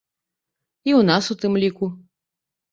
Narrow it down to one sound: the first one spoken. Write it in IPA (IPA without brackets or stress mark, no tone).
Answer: i